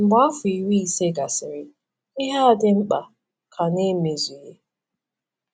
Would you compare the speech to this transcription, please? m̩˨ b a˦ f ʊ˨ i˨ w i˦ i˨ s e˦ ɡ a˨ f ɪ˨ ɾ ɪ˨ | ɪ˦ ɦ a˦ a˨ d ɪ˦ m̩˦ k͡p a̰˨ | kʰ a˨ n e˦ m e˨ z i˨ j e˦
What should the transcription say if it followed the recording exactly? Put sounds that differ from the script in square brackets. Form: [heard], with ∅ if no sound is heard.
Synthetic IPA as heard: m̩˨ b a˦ f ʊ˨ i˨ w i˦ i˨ s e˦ ɡ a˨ [s] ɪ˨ ɾ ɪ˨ | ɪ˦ ɦ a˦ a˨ d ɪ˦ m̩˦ k͡p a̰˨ | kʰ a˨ n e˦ m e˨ z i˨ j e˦